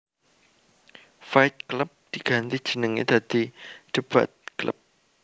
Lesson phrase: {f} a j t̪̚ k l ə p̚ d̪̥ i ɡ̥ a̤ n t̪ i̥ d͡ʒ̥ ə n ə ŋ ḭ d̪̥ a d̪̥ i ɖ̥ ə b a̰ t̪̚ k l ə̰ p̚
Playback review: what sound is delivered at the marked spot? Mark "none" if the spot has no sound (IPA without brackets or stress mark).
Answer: f